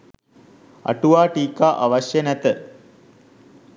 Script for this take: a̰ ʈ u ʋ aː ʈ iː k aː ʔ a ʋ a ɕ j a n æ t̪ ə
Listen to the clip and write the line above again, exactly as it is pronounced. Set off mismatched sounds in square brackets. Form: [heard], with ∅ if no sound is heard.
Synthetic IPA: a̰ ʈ u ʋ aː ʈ iː k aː ʔ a ʋ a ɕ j [ə] n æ t̪ ə